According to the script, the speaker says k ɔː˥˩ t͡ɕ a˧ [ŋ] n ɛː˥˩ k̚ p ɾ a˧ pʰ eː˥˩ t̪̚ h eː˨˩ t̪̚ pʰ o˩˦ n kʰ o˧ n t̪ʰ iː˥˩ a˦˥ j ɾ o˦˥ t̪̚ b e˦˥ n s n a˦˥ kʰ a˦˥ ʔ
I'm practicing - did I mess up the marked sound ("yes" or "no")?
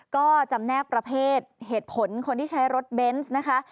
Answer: yes